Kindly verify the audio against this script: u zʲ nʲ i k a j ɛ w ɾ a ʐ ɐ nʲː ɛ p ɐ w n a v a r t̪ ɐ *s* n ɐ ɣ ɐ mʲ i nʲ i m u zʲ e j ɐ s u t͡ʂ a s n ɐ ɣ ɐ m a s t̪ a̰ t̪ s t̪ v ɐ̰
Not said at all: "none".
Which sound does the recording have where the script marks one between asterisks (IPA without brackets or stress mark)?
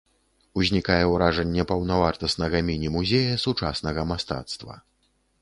s